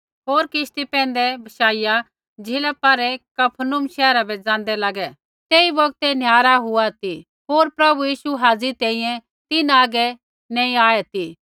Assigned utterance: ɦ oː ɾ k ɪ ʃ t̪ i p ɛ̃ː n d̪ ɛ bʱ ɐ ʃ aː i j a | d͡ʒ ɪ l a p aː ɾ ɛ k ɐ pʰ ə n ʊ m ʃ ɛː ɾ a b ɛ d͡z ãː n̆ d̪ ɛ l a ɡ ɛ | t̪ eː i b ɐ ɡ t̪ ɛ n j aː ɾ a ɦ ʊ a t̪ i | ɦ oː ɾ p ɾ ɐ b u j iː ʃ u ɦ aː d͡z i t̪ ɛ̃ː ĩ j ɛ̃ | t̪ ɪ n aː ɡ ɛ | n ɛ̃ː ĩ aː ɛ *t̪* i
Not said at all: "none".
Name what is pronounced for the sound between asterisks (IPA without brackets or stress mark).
t̪